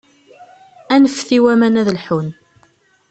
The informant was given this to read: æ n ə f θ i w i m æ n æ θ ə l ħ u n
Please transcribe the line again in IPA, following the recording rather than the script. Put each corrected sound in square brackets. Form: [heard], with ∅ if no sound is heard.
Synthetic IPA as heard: æ n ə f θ i w [æ] m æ n æ [ð] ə l ħ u n